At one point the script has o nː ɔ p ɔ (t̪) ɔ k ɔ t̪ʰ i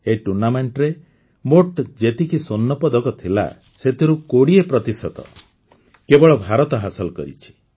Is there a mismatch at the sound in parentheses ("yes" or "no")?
yes